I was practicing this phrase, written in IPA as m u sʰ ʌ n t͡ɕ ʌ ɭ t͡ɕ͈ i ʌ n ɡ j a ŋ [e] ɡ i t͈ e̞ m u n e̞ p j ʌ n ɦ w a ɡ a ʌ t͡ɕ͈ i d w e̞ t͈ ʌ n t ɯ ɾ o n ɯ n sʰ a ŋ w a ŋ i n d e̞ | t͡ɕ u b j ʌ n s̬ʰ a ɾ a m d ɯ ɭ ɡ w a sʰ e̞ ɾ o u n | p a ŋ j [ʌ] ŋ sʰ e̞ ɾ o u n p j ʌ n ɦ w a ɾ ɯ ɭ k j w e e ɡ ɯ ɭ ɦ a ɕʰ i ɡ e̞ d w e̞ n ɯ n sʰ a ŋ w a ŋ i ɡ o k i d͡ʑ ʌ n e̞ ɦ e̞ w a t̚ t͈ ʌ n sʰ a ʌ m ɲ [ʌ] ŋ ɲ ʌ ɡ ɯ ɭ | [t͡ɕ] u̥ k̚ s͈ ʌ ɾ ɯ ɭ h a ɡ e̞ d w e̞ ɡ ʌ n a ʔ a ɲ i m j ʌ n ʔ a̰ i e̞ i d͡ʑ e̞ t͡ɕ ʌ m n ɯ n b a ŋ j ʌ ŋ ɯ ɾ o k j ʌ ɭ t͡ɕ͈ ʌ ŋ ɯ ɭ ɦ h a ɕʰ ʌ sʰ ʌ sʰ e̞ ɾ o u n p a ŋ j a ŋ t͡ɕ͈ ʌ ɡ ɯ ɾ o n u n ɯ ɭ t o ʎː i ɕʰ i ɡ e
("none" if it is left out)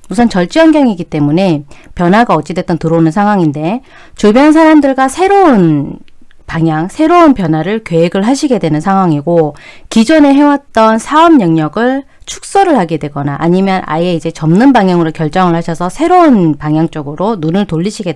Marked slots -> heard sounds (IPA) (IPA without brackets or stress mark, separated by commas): i, a, ʌ, t͡ɕʰ